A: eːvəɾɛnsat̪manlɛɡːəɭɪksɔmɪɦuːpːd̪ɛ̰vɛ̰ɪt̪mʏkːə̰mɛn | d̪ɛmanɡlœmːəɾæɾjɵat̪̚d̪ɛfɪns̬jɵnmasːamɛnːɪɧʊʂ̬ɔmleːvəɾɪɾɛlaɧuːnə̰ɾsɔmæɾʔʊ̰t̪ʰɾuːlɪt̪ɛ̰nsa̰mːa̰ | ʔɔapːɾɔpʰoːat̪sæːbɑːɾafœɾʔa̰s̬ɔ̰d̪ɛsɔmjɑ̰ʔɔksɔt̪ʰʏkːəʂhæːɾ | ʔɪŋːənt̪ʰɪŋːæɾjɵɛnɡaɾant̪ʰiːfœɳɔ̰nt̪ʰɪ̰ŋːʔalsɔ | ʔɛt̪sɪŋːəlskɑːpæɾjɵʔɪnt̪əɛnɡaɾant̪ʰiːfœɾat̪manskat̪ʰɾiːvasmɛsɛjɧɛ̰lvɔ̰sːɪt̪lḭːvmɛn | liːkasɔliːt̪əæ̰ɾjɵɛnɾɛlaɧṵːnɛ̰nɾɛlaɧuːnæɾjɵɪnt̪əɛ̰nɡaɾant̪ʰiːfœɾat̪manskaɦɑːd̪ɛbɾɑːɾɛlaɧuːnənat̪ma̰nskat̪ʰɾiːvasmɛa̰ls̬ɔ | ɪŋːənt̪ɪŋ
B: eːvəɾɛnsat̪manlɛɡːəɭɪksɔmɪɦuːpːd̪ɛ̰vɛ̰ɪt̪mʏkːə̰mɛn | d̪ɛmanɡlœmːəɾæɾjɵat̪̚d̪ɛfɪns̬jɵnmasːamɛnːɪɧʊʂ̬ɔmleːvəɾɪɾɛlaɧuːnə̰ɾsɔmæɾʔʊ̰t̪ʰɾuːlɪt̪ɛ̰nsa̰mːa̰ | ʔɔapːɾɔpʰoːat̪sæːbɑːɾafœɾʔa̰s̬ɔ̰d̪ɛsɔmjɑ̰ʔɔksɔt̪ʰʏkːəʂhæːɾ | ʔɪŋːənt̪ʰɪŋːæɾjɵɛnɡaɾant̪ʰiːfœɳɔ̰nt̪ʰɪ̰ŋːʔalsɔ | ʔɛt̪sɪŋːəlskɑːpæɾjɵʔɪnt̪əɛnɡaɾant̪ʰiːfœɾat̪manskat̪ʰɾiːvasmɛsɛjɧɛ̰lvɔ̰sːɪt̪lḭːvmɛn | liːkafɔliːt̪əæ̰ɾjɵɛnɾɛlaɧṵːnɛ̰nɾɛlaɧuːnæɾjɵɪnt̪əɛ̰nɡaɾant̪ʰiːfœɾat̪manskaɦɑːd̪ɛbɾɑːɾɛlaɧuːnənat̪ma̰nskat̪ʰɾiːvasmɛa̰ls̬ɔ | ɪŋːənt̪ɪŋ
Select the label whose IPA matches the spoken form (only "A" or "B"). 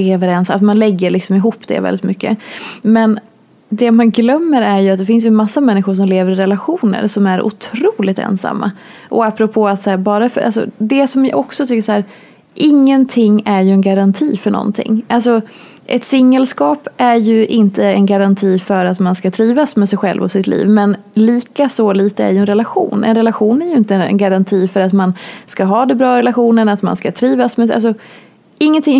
A